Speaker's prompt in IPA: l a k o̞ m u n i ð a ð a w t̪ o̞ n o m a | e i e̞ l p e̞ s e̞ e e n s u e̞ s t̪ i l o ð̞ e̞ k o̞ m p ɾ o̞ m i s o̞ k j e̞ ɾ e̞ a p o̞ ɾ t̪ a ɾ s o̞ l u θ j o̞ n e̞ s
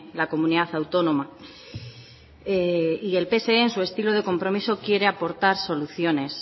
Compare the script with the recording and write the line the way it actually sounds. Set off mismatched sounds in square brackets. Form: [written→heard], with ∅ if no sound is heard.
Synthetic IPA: l a k o̞ m u n i ð a [ð→θ] a w t̪ o̞ n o m a | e i e̞ l p e̞ s e̞ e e n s u e̞ s t̪ i l o ð̞ e̞ k o̞ m p ɾ o̞ m i s o̞ k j e̞ ɾ e̞ a p o̞ ɾ t̪ a ɾ s o̞ l u θ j o̞ n e̞ s